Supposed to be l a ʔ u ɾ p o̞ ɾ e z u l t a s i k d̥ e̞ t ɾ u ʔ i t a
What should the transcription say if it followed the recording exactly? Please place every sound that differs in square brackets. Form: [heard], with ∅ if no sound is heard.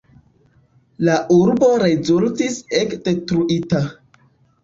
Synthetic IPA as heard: l a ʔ u ɾ [b] o̞ ɾ e z u l t [i] s [e] k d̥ e̞ t ɾ u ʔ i t a